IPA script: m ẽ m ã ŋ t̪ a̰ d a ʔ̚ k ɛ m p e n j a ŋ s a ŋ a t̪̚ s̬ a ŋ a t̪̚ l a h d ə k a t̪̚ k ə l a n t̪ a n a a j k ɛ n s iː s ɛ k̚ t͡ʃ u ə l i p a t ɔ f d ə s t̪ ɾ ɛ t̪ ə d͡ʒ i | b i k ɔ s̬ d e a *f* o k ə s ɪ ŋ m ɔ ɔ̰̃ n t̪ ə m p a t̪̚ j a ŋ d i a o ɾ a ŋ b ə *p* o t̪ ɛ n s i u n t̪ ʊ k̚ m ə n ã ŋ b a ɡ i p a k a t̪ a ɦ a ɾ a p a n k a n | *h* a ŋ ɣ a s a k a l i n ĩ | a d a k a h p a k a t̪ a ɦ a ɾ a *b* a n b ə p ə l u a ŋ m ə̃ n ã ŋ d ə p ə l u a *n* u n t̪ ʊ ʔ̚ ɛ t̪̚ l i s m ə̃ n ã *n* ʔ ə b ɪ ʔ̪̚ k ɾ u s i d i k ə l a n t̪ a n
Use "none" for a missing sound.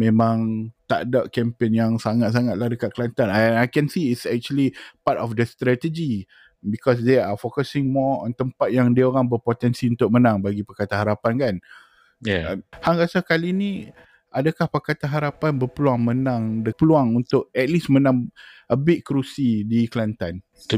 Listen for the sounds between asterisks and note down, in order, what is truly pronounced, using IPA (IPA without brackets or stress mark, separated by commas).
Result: f, p, h, p, ŋ, ŋ